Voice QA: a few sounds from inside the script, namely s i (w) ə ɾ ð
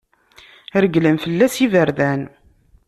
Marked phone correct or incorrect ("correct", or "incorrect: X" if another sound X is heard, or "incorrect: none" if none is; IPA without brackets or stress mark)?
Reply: incorrect: v